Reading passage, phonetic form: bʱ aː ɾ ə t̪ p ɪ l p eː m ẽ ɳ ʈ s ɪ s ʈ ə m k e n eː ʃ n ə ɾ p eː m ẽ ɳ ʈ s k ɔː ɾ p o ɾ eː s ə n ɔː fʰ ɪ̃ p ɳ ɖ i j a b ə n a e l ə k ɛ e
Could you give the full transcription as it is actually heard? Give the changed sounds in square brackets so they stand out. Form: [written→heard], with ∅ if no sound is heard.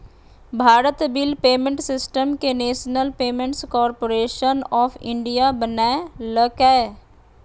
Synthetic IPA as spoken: bʱ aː ɾ ə t̪ [p→b] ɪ l p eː m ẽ ɳ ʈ s ɪ s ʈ ə m k e n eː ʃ n ə [ɾ→l] p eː m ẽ ɳ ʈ s k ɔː ɾ p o ɾ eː [s→ʃ] ə n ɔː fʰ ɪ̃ [p→∅] ɳ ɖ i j a b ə n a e l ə k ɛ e